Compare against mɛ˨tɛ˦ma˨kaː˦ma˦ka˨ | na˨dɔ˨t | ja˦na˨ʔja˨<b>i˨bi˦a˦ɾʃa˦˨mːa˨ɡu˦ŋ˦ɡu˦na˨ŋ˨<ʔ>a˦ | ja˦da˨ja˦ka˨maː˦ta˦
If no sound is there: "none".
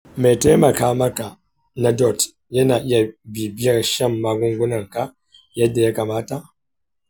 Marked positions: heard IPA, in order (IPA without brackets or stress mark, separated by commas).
b, k